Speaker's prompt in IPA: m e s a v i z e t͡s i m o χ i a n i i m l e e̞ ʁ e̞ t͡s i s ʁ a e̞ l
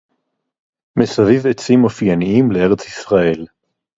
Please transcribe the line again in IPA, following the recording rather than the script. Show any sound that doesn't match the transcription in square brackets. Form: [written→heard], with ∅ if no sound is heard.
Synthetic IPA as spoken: m e s a v i [z→v] e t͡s i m o [χ→f] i a n i i m l e e̞ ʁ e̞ t͡s i s ʁ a e̞ l